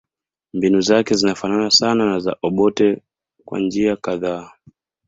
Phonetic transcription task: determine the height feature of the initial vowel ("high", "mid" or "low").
high